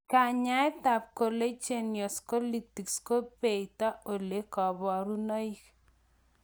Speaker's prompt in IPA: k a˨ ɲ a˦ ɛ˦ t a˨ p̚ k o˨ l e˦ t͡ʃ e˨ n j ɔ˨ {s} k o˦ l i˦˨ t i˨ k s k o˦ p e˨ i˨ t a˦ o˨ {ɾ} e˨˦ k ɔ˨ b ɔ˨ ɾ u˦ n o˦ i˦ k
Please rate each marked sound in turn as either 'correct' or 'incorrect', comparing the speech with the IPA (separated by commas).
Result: correct, incorrect